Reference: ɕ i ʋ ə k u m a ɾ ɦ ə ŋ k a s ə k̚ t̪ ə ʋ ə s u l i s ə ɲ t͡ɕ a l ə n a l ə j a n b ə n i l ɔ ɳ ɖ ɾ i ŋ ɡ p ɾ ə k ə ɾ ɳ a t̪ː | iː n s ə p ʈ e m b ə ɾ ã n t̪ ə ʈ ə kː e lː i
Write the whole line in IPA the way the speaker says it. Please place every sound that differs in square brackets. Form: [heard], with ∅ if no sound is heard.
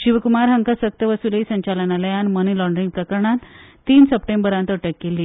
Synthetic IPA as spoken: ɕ i ʋ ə k u m a ɾ ɦ ə ŋ k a s ə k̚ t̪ ə ʋ ə s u l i s ə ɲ t͡ɕ a l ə n a l ə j a n [m] ə n i l ɔ ɳ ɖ ɾ i ŋ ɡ p ɾ ə k ə ɾ ɳ a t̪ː | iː n s ə p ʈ e m b ə ɾ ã n t̪ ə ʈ ə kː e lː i